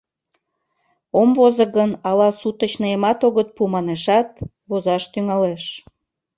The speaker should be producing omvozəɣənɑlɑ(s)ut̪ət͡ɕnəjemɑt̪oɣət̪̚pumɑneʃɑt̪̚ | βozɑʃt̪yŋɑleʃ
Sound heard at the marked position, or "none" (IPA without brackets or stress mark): s